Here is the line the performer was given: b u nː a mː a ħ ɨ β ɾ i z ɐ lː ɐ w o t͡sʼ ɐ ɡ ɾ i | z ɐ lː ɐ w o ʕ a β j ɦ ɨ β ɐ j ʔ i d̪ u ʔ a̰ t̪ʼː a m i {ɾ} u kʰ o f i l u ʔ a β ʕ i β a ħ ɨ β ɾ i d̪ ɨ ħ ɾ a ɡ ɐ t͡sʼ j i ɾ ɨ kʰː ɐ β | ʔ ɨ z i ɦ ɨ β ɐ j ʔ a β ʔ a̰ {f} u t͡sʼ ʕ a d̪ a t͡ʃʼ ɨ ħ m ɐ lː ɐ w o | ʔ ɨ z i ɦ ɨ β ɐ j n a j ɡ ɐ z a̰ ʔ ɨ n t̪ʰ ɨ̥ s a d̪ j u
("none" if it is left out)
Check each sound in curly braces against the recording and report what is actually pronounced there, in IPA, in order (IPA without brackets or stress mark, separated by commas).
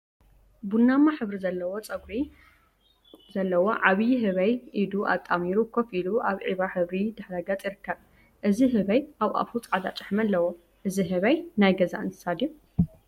ɾ, f